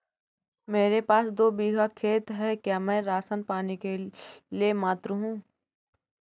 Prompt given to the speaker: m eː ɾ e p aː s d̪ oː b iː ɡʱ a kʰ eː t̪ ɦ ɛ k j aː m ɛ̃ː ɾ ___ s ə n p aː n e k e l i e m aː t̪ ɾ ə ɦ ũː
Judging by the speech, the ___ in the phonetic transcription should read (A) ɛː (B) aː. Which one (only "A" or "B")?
B